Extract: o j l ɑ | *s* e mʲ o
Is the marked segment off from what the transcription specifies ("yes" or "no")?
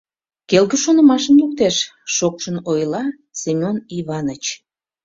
no